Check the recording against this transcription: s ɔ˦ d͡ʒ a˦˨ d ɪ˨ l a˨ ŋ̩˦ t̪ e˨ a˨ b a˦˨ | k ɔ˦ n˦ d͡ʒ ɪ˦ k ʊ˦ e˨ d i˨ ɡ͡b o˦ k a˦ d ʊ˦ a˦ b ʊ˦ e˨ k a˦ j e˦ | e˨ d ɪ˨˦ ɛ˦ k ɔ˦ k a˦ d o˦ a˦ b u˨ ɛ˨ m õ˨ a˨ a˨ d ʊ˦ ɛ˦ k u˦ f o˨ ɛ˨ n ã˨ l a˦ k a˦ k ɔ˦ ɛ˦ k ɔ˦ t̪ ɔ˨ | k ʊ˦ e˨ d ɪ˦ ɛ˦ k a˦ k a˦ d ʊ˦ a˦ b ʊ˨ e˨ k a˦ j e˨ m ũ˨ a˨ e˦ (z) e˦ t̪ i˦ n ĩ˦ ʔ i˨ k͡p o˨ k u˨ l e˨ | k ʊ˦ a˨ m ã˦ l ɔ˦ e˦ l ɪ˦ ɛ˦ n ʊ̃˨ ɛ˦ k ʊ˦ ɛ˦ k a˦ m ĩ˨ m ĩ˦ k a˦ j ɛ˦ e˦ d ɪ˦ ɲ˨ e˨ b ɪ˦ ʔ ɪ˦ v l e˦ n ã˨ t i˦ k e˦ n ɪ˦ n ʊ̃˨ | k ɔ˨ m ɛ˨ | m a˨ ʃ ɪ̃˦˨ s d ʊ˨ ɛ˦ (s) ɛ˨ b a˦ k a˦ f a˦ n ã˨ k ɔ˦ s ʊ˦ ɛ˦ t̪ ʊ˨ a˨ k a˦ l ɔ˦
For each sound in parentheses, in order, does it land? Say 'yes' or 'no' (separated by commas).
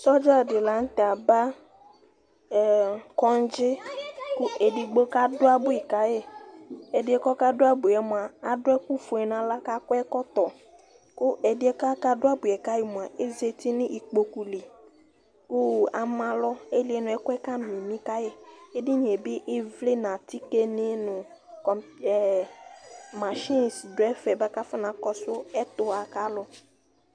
yes, no